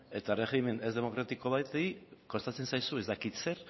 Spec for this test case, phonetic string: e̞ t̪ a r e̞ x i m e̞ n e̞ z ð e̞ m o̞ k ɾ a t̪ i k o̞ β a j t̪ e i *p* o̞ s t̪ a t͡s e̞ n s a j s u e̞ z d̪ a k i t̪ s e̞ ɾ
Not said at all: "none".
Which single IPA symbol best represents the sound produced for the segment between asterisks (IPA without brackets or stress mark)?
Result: k